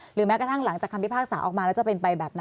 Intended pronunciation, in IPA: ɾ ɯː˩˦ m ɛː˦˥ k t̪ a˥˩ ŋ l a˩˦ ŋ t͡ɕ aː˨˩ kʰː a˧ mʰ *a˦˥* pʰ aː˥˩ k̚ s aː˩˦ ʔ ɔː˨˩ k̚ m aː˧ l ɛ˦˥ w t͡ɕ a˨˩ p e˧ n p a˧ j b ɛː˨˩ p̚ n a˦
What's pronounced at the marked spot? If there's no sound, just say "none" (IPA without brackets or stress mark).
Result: i˦˥